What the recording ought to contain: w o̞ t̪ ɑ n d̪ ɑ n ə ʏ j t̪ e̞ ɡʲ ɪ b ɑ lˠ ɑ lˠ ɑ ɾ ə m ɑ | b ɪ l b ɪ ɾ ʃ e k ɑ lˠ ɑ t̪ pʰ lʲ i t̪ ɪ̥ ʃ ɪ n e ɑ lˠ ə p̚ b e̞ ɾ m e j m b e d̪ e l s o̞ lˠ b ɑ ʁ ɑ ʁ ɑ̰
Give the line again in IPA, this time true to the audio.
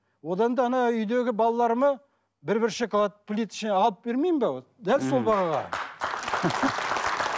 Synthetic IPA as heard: w o̞ d̪ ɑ n d̪ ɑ n ɑ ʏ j d̪ e̞ ɡʲ ɪ b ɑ lˠ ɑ lˠ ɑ ɾ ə m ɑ | b ɪ ɾ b ɪ ɾ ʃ e k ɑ lˠ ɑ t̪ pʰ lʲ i t̪ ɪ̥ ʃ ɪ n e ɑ lˠ ə p̚ b e̞ ɾ m e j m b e d̪ æ l s o̞ lˠ b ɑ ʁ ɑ ʁ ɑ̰